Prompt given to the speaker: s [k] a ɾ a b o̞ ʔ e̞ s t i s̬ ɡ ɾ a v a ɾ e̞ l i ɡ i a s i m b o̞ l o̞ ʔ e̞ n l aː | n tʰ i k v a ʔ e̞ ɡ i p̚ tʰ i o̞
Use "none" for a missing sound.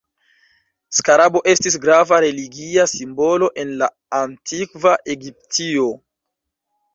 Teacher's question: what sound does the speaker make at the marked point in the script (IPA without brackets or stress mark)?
k